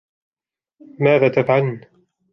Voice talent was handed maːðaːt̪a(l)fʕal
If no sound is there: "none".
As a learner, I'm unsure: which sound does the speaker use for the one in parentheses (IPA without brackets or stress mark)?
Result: none